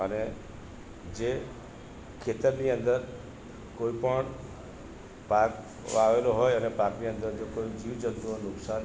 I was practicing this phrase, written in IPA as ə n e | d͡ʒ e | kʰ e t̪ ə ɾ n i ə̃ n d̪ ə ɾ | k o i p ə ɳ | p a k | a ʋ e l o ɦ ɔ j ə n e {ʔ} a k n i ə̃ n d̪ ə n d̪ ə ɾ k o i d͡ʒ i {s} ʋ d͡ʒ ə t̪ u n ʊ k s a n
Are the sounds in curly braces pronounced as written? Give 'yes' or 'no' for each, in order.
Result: no, no

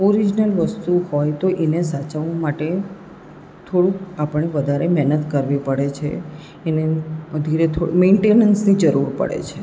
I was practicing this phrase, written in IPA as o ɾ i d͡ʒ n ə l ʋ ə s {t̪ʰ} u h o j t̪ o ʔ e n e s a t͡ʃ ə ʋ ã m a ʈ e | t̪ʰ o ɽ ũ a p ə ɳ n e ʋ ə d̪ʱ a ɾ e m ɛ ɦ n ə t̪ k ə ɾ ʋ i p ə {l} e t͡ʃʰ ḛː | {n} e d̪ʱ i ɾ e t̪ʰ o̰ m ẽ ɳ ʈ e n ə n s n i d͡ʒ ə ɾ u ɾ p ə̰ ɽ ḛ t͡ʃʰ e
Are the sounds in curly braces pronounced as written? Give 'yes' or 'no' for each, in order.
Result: no, no, yes

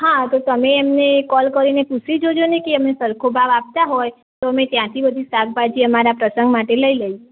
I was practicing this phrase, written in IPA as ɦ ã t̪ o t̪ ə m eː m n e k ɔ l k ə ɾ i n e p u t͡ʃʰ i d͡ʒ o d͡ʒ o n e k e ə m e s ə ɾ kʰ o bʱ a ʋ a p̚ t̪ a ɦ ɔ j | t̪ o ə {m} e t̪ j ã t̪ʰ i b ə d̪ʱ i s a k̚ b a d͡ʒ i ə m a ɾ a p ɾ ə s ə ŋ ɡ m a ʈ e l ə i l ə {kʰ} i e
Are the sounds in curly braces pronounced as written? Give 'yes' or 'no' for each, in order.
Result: yes, no

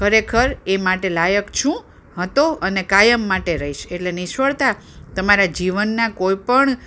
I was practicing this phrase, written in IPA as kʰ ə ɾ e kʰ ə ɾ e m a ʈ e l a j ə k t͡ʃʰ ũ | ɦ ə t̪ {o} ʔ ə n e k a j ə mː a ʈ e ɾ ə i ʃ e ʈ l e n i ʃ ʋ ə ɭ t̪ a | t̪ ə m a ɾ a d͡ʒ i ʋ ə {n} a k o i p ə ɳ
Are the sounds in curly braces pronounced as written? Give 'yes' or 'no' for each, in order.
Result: yes, no

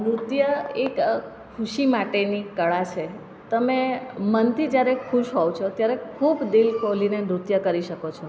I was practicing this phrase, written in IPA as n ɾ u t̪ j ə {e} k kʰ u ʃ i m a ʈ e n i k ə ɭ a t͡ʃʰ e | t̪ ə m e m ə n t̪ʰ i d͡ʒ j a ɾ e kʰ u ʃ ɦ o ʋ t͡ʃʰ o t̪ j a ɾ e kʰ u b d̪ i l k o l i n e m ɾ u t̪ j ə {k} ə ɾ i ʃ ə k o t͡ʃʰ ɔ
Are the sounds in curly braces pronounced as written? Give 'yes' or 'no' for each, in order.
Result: yes, yes

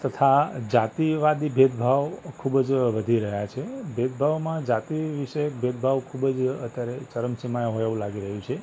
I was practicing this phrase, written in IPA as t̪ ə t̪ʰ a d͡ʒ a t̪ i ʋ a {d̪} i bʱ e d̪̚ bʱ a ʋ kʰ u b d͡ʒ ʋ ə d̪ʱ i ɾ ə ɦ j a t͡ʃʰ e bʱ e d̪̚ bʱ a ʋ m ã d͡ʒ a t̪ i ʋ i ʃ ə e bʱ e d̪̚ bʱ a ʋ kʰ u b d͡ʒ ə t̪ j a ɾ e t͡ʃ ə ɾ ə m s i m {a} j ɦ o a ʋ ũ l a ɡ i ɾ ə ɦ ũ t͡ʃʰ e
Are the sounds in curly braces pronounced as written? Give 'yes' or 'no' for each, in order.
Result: yes, yes

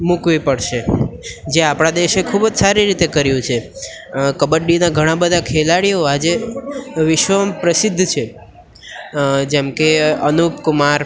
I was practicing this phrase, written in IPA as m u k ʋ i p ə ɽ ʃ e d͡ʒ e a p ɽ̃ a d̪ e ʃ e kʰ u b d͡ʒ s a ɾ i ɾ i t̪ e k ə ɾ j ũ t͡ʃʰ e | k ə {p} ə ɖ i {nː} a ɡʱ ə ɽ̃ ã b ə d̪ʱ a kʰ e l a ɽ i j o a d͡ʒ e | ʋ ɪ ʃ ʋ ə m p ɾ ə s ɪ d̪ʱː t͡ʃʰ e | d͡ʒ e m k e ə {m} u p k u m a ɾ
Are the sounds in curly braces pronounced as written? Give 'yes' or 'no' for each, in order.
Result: no, no, no

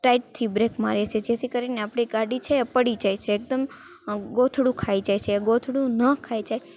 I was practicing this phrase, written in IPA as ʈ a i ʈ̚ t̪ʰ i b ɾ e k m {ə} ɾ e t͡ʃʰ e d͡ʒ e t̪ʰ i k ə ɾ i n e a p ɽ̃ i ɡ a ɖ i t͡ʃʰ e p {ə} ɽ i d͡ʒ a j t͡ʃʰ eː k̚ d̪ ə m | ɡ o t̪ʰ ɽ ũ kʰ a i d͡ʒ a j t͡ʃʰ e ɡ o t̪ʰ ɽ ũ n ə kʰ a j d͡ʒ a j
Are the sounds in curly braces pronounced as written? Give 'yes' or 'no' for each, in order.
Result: no, yes

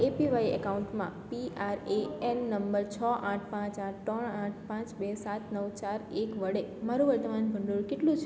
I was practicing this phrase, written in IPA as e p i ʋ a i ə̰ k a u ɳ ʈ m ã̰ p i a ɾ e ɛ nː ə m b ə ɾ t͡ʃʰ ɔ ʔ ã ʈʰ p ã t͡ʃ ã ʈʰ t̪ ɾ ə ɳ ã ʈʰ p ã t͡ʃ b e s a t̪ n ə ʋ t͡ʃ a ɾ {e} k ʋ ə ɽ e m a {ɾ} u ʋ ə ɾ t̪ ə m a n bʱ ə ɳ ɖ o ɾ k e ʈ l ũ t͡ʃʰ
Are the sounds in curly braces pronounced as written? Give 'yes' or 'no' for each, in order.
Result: yes, yes

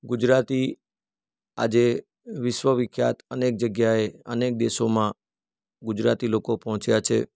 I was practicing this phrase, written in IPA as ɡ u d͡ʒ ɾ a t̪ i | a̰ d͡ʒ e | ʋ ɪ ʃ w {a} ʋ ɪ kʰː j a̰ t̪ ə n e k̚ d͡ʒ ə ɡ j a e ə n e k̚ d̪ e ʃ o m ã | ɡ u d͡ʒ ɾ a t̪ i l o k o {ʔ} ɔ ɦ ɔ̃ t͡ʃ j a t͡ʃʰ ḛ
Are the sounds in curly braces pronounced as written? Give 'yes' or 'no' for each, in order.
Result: no, no

